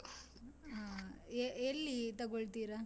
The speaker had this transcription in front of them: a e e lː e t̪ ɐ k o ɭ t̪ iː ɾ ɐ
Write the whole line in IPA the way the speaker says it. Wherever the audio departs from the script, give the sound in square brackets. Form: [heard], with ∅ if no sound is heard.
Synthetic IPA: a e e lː [i] t̪ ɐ [ɡ] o ɭ t̪ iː ɾ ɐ